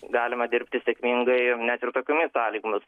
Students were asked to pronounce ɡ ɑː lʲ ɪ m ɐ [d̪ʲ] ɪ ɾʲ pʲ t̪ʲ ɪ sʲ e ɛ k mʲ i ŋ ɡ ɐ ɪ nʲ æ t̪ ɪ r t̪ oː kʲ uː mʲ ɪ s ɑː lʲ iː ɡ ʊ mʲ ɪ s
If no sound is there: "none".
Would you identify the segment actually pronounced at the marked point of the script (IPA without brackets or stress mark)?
d̪ʲ